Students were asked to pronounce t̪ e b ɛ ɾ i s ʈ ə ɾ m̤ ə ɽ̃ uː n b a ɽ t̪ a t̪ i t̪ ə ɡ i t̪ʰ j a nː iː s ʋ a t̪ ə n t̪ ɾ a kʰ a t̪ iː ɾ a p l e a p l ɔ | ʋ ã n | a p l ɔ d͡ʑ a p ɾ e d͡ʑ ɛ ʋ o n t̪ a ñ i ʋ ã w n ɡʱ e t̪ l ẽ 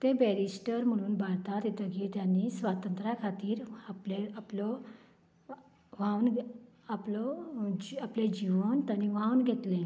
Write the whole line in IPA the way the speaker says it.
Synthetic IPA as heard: t̪ e b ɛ ɾ i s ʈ ə ɾ m̤ ə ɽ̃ uː n b a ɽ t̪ a t̪ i t̪ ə ɡ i t̪ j a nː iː s ʋ a t̪ ə n t̪ ɾ a kʰ a t̪ iː ɾ a p l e a p l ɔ | ʋ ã n | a p l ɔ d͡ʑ a p l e d͡ʑ i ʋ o n t̪ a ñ i ʋ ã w n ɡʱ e t̪ l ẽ